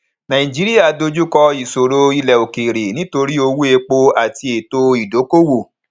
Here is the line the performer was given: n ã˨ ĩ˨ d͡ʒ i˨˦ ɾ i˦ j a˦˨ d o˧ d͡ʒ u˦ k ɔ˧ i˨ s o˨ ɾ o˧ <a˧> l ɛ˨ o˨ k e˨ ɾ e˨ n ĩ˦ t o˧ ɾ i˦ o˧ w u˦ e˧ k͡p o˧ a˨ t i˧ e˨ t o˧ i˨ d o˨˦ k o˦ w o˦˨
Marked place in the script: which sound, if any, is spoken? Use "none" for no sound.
i˧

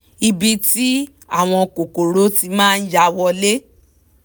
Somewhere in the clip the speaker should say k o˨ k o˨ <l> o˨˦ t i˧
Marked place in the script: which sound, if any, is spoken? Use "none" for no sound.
ɾ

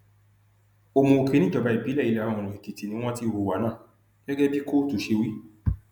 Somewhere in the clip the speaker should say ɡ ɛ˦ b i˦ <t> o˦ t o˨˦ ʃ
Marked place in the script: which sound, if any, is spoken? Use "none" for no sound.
k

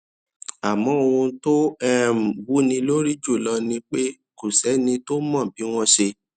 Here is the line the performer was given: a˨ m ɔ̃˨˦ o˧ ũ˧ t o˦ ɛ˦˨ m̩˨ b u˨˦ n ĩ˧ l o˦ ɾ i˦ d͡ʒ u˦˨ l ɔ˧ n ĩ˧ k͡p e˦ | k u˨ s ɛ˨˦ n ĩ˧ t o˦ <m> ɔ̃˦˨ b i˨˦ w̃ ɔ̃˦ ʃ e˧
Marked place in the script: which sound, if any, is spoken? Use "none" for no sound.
m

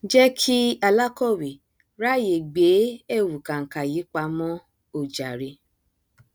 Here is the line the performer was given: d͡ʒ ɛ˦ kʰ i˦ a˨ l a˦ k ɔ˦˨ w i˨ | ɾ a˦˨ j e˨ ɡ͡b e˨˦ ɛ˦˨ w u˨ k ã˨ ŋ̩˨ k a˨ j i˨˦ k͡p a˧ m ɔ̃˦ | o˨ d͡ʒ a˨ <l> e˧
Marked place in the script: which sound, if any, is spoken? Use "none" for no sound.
ɾ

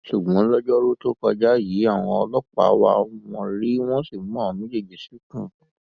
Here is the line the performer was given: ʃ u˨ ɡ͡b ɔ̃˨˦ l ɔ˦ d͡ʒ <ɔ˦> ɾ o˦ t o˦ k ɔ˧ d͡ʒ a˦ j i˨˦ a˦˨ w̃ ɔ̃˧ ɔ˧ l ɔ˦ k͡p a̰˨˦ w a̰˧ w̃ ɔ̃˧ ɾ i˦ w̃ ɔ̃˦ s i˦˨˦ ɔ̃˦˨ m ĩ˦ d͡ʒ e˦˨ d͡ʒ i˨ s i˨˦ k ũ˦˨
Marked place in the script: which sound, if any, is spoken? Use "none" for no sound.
ɔ˦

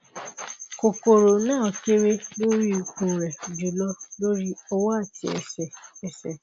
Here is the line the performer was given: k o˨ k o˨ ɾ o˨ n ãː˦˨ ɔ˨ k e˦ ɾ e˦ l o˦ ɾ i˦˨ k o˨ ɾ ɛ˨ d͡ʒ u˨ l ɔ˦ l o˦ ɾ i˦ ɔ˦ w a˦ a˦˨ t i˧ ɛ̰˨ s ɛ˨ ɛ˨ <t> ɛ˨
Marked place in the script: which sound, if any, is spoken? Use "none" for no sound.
s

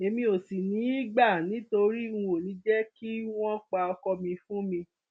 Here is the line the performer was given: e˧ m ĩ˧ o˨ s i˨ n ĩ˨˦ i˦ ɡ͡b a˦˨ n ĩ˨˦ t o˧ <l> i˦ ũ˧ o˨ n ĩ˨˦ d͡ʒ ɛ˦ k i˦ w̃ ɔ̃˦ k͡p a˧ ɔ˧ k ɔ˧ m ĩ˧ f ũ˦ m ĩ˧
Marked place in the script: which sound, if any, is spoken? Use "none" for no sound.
ɾ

